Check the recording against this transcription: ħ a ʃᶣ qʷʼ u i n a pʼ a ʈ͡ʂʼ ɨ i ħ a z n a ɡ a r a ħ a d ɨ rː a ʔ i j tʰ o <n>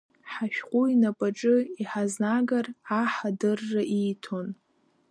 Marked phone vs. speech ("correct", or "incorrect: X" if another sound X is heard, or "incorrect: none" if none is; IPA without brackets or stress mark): correct